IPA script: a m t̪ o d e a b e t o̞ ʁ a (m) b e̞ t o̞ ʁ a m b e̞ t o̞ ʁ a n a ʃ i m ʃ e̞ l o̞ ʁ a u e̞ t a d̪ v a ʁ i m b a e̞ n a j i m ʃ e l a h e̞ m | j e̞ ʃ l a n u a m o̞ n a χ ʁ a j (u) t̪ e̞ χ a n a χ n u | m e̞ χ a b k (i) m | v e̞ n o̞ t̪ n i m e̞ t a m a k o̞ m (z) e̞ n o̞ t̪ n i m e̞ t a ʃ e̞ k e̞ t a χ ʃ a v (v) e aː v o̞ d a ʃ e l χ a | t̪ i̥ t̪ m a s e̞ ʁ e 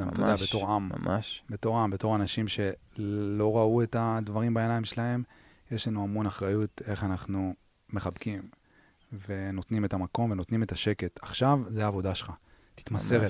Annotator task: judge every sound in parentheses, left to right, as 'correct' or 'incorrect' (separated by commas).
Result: correct, correct, correct, incorrect, incorrect